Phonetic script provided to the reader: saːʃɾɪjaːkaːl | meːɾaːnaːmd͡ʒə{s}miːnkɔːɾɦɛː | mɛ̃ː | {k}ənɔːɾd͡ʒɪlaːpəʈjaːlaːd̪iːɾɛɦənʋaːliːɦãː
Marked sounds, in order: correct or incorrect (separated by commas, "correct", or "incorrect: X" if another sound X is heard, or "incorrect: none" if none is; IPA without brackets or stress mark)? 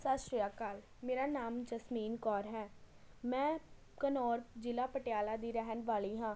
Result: correct, correct